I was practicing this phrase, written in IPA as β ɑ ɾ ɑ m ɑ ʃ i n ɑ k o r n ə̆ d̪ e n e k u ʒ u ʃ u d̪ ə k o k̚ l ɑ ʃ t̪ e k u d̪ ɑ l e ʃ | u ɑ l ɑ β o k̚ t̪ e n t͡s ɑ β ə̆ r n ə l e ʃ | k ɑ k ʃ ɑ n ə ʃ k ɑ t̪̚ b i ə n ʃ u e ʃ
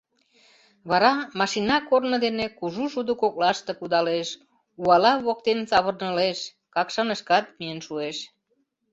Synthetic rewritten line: β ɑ ɾ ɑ m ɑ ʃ i n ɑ k o r n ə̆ d̪ e n e k u ʒ u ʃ u d̪ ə k o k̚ l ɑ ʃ t̪ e k u d̪ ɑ l e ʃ | u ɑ l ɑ β o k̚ t̪ e n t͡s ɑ β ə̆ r n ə l e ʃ | k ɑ k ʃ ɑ n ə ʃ k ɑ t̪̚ m i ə n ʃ u e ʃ